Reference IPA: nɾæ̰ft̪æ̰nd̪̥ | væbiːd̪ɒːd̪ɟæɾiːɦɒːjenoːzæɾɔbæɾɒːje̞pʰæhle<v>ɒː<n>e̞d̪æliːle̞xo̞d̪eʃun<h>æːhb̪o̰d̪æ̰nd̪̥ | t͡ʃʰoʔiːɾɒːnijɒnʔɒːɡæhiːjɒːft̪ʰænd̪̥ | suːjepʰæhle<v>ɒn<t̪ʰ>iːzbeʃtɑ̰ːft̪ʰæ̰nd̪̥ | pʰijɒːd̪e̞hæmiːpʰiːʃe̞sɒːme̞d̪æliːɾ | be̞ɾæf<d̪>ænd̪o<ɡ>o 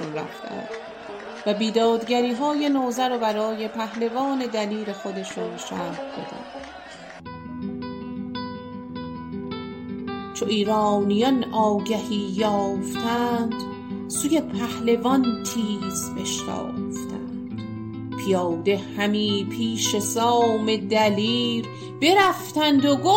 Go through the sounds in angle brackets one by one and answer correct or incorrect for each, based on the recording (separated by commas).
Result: correct, correct, incorrect, correct, correct, incorrect, correct